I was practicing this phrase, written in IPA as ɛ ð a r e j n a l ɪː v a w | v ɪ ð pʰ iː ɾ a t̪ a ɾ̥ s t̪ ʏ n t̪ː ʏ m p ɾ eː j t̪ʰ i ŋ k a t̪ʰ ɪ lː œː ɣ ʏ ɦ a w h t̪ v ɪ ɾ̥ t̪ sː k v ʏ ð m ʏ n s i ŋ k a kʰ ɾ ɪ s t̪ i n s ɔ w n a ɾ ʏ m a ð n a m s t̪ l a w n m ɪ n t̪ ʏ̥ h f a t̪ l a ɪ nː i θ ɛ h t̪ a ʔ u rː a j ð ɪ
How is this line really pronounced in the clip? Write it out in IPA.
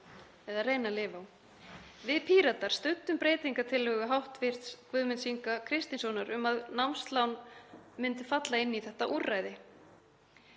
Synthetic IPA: ɛ ð a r e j n a l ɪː v a w | v ɪ ð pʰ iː ɾ a t̪ a ɾ̥ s t̪ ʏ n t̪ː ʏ m p ɾ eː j t̪ i ŋ k a t̪ʰ ɪ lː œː ɣ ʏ ɦ a w h t̪ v ɪ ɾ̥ t̪ s k v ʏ ð m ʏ n s i ŋ k a kʰ ɾ ɪ s t̪ i n s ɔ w n a ɾ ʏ m a ð n a m s t̪ l a w n m ɪ n t̪ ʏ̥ f a t̪ l a ɪ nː i θ ɛ h t̪ a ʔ u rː a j ð ɪ